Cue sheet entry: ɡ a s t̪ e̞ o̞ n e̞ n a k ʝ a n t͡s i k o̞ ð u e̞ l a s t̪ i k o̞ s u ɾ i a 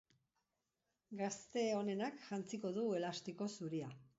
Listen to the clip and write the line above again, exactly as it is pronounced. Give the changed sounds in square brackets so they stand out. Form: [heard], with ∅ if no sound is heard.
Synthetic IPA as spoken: ɡ a s t̪ e̞ o̞ n e̞ n a k ʝ a n t͡s i k o̞ ð u e̞ l a s t̪ i k o̞ s u ɾ i a